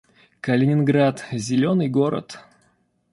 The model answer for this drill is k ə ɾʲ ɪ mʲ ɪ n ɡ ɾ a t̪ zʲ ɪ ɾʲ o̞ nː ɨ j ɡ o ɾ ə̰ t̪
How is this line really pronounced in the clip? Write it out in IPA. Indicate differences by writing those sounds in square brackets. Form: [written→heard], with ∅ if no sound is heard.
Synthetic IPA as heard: k ə [ɾʲ→lʲ] ɪ [mʲ→nʲ] ɪ n ɡ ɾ a t̪ zʲ ɪ [ɾʲ→lʲ] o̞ [nː→n] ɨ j ɡ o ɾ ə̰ t̪